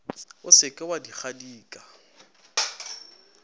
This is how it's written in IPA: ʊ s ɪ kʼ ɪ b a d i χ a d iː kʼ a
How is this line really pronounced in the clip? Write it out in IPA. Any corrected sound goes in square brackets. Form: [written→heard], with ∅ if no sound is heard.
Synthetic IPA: ʊ s ɪ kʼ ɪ [b→w] a d i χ a d iː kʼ a